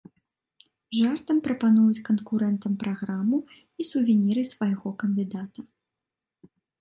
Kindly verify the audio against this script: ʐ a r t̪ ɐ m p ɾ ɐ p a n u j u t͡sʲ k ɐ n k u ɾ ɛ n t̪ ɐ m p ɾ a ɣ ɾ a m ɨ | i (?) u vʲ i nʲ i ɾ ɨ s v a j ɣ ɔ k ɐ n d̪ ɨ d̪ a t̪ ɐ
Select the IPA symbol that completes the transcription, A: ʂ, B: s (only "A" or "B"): B